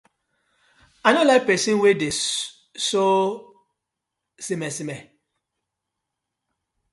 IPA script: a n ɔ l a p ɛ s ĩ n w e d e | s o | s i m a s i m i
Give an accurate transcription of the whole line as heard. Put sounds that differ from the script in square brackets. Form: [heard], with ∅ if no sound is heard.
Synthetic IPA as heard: a n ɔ l a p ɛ s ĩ n w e d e | s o | s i m [ɛ] s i m [ɛ]

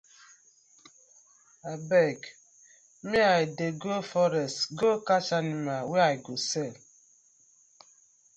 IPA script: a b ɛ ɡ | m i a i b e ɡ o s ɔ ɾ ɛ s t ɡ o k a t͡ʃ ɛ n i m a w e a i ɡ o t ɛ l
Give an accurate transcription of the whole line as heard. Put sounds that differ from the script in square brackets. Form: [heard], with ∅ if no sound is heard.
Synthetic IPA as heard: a b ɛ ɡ | m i a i [d] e ɡ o [f] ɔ ɾ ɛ s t ɡ o k a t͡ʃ [a] n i m a w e a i ɡ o [s] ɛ l

